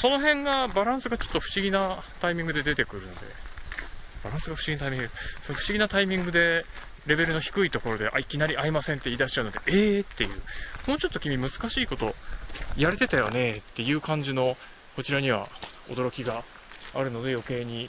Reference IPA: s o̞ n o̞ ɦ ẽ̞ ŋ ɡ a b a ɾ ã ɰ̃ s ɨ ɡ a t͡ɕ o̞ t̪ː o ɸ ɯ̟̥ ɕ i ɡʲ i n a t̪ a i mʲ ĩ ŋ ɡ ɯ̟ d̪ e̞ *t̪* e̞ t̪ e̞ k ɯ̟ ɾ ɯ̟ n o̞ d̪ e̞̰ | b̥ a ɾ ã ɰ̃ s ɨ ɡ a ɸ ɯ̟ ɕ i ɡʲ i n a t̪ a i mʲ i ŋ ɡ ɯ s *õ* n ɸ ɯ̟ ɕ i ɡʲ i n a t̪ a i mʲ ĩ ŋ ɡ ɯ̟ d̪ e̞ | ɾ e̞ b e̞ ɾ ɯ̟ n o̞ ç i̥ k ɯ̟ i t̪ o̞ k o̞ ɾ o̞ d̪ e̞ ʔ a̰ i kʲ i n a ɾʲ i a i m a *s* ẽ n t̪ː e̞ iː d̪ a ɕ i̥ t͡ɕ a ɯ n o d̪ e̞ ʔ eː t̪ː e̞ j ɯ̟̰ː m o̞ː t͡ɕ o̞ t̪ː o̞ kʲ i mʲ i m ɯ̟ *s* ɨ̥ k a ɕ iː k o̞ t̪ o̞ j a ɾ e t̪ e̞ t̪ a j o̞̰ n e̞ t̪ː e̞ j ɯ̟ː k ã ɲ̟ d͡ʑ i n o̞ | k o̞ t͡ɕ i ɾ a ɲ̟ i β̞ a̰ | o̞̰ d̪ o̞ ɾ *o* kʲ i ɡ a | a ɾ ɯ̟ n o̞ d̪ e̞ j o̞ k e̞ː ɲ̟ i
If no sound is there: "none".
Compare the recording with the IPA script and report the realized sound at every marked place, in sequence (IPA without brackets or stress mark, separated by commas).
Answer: d̪, o, s, z, o